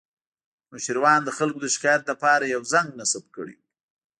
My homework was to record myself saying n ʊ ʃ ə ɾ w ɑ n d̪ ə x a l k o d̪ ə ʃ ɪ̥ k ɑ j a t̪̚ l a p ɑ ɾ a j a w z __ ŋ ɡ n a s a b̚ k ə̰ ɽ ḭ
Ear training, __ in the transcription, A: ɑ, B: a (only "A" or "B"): B